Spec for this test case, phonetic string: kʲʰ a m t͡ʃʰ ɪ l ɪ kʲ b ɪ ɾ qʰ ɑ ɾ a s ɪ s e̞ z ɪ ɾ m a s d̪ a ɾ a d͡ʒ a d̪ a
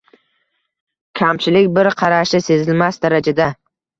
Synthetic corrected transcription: kʲʰ a m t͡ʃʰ ɪ l ɪ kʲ b ɪ ɾ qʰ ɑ ɾ a ʃ ɪ s e̞ z ɪ l m a s d̪ a ɾ a d͡ʒ a d̪ a